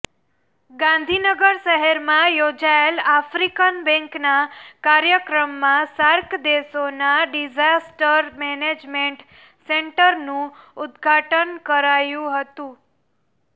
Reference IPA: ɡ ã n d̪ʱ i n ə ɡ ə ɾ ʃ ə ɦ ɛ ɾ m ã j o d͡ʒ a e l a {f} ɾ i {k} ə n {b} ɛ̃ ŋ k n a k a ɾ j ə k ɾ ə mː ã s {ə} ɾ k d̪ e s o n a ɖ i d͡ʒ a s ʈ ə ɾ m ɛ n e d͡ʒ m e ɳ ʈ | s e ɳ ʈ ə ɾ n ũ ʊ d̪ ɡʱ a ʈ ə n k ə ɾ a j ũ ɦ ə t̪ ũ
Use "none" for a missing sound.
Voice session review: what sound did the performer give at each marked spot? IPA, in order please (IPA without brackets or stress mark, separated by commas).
f, k, b, a